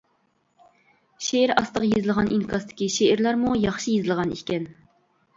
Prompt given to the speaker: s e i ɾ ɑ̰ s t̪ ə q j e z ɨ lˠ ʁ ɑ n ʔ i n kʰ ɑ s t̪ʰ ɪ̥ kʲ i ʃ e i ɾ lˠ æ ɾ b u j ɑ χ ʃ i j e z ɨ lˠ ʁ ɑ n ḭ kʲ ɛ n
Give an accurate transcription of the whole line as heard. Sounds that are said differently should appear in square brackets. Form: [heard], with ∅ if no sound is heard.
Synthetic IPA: [ʃ] e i ɾ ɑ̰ s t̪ ə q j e z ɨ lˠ ʁ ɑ n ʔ i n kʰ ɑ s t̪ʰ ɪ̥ kʲ i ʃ e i ɾ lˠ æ ɾ [m] u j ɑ χ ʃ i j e z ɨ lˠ ʁ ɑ n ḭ kʲ ɛ n